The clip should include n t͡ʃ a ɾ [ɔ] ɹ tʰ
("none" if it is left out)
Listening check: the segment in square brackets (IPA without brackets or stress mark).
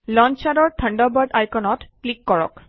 ɔ